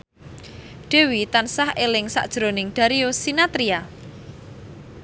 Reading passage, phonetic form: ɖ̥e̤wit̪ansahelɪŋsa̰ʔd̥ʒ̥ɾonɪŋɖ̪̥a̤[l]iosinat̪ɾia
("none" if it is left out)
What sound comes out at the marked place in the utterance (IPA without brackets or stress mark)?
ɾ